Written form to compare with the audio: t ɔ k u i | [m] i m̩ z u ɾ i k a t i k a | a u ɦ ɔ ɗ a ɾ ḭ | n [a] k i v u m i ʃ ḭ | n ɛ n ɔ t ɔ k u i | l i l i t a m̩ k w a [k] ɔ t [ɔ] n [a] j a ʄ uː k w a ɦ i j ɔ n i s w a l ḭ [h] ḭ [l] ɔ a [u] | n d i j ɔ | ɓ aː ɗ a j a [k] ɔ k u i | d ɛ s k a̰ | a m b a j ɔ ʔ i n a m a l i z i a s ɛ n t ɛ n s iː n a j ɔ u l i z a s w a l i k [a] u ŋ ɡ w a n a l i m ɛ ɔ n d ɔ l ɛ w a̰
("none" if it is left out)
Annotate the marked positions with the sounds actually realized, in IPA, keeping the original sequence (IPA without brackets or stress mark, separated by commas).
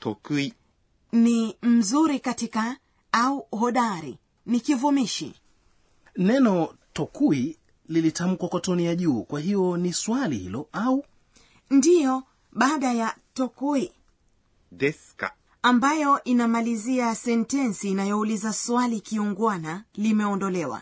n, i, k, ɔ, i, h, l, u, t, i